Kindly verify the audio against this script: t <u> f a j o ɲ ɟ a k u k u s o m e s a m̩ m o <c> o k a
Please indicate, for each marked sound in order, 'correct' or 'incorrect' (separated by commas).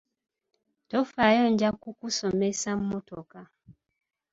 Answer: incorrect, incorrect